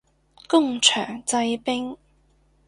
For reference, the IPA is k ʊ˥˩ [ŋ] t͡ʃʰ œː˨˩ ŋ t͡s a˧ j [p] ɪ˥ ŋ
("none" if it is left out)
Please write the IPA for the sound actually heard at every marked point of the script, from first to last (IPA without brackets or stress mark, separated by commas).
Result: ŋ, p